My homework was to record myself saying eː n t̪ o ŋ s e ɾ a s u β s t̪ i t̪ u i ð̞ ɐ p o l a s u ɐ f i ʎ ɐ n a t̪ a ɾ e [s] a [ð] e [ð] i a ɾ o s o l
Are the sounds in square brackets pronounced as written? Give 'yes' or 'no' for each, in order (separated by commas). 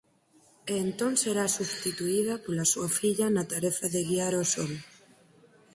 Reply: no, yes, no